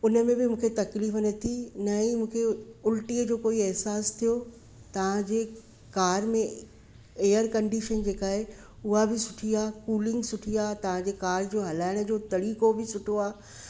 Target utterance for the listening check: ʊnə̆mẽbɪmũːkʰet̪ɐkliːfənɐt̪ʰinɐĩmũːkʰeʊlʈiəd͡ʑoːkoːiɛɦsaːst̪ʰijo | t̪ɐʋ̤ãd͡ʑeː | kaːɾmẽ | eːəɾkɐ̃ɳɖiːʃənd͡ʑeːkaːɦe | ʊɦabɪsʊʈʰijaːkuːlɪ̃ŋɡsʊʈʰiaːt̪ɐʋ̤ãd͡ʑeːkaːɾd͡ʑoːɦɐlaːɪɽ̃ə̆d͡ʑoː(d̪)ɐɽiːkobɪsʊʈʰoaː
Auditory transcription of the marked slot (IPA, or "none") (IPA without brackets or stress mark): t̪